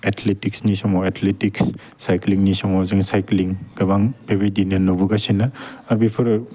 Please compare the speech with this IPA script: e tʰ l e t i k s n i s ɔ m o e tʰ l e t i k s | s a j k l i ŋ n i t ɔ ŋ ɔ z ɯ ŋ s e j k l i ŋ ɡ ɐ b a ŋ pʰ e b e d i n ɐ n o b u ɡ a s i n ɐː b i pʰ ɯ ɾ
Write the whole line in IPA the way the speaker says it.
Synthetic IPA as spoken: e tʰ l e t i k s n i s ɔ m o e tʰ l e t i k s | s a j k l i ŋ n i s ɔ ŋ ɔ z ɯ ŋ s a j k l i ŋ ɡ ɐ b a ŋ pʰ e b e d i n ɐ n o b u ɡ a s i n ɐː b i pʰ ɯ ɾ